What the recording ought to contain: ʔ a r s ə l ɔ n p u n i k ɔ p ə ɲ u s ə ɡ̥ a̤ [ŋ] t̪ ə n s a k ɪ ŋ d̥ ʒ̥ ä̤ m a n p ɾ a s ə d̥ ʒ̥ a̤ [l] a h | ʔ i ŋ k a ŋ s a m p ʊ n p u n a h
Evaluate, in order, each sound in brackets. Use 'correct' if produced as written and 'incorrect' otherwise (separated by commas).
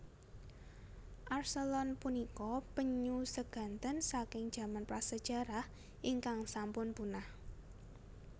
incorrect, incorrect